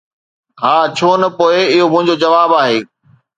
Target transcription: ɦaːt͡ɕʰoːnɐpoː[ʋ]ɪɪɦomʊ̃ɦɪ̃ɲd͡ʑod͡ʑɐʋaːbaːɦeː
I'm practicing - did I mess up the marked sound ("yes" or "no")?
yes